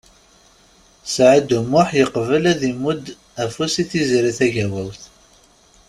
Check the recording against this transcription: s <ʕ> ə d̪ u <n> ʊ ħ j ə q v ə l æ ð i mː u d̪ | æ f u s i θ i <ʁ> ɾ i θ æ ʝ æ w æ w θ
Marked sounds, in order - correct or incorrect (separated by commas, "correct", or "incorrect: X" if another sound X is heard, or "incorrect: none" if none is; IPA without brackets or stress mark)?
correct, incorrect: m, incorrect: z